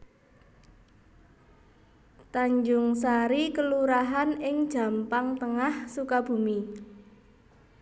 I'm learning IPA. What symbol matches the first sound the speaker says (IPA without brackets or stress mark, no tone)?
t̪